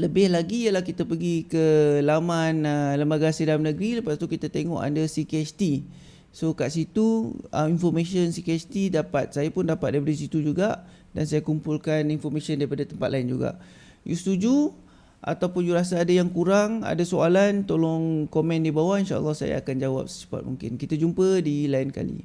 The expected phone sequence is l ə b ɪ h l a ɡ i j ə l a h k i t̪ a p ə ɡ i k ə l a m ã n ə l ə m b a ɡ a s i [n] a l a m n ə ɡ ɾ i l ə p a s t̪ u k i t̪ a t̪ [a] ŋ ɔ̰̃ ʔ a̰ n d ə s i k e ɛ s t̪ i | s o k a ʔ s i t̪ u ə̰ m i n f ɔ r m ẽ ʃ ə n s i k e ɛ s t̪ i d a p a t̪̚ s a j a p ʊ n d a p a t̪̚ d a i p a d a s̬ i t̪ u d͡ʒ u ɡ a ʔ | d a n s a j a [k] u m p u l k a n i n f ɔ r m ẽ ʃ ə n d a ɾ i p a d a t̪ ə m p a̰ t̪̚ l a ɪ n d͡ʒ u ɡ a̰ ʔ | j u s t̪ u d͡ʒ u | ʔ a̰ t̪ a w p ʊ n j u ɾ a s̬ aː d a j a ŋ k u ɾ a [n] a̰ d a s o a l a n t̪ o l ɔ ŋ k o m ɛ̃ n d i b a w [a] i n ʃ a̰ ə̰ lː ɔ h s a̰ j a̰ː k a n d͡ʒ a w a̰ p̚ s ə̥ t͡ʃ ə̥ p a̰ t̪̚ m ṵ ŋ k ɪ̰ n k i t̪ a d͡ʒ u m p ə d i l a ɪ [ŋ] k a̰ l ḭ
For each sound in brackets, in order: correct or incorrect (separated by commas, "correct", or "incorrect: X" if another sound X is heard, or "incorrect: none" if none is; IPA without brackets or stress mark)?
incorrect: d, incorrect: e, correct, incorrect: ŋ, correct, incorrect: n